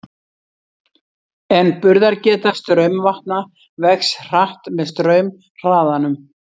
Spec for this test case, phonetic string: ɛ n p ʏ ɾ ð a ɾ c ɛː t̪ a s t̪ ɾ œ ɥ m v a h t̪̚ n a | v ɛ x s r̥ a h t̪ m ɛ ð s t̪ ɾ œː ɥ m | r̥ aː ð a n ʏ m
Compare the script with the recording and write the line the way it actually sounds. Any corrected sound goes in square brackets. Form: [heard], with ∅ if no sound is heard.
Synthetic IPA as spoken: ɛ n p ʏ ɾ ð a ɾ c ɛː t̪ a s t̪ ɾ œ ɥ m v a h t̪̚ n a | v ɛ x s r̥ a h t̪ m ɛ ð s t̪ ɾ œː ɥ m | r̥ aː ð a n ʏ m